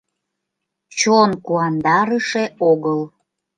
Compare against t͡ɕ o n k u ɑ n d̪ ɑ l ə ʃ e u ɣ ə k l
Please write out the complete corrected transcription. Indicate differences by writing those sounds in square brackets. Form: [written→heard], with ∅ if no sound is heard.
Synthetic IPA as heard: t͡ɕ o n k u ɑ n d̪ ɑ [l→ɾ] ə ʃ e [u→o] ɣ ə [k→∅] l